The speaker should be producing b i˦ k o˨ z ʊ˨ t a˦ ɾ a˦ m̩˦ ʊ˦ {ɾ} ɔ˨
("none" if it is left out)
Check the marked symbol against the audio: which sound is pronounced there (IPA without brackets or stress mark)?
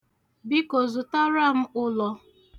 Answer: l